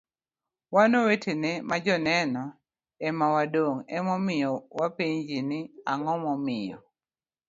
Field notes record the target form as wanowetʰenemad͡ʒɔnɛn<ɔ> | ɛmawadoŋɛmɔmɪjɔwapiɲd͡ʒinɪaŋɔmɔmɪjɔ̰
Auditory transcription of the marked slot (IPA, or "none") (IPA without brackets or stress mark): ɔ